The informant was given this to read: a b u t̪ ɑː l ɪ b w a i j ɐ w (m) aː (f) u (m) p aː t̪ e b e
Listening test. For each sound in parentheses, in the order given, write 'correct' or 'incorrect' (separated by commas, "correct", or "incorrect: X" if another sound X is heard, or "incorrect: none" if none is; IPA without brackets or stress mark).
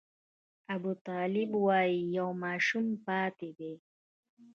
correct, incorrect: ʃ, correct